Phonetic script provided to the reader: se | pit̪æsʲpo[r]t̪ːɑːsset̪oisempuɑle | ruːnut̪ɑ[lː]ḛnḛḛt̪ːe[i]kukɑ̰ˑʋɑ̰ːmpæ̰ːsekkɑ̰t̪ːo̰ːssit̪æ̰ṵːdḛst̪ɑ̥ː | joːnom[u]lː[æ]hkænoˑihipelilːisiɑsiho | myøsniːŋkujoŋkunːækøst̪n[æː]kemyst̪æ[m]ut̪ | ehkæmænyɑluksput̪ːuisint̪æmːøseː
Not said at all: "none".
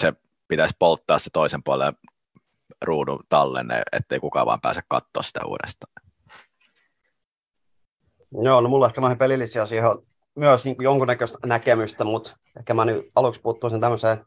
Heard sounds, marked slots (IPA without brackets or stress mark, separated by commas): l, lː, i, u, e, æ, m